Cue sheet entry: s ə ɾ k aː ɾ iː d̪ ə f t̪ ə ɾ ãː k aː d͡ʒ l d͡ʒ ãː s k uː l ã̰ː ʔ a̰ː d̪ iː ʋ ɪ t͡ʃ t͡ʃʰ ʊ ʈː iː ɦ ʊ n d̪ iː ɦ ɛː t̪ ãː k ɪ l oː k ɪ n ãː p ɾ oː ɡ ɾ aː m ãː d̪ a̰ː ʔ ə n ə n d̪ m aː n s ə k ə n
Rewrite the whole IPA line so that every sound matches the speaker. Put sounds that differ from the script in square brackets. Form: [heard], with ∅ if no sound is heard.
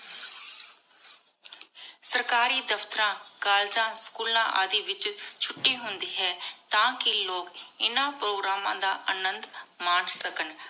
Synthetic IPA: s ə ɾ k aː ɾ iː d̪ ə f t̪ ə ɾ ãː k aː [∅] l d͡ʒ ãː s k uː l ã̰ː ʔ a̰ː d̪ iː ʋ ɪ t͡ʃ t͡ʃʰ ʊ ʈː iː ɦ ʊ n d̪ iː ɦ ɛː t̪ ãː k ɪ l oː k ɪ n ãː p ɾ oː ɡ ɾ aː m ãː d̪ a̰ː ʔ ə n ə n d̪ m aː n s ə k ə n